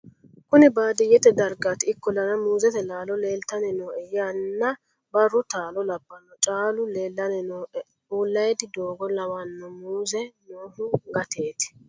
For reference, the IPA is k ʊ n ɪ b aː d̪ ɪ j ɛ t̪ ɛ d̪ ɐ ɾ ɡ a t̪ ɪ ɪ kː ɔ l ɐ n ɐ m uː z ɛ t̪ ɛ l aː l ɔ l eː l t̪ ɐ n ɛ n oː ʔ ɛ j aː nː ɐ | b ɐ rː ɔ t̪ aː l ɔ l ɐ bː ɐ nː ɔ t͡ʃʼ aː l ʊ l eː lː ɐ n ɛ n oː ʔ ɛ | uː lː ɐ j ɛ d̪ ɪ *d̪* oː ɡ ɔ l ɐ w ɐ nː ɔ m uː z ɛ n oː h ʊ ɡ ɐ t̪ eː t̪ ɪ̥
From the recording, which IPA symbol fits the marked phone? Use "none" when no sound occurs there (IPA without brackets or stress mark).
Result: d̪